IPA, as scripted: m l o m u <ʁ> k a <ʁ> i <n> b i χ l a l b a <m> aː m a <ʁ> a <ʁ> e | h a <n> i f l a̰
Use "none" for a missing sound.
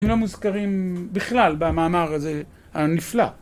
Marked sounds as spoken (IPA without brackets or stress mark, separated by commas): z, ʁ, m, m, ʁ, z, n